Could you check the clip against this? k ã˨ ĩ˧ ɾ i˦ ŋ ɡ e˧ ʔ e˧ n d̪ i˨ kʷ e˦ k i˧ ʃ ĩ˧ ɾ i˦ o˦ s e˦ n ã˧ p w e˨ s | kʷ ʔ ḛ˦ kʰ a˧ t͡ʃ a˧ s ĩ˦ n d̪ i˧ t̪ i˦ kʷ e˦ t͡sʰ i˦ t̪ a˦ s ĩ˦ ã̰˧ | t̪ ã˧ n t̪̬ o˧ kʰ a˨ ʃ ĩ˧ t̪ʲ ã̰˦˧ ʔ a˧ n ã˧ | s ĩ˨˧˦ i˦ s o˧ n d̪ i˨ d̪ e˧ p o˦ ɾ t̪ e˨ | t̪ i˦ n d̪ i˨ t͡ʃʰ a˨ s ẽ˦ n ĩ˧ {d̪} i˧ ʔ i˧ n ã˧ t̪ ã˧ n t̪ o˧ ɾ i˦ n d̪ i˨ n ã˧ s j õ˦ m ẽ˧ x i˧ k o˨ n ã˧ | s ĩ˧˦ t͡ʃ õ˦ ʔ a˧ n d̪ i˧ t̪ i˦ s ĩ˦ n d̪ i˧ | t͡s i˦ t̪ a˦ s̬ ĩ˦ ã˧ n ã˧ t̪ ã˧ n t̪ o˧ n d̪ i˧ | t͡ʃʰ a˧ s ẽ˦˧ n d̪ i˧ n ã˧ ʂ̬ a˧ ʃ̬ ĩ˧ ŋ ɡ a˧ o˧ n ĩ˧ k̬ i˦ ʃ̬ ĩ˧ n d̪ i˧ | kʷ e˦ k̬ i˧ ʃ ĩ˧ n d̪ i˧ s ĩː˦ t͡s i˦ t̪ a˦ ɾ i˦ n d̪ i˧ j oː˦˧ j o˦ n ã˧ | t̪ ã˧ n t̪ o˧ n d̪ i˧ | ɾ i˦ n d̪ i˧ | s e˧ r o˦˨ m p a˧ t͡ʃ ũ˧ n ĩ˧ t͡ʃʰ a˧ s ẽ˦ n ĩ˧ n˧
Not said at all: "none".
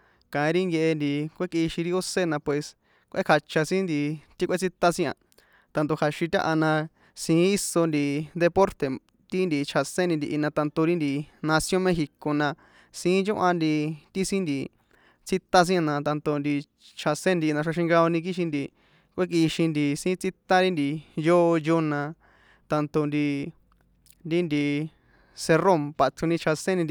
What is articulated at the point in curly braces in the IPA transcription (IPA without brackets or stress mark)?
d̪